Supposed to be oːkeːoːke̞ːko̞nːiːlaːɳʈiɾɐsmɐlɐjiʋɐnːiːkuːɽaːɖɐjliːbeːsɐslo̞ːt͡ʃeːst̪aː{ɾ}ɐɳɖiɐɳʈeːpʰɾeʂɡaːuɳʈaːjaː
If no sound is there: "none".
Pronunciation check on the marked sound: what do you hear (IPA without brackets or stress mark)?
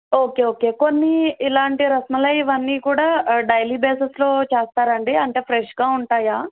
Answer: ɾ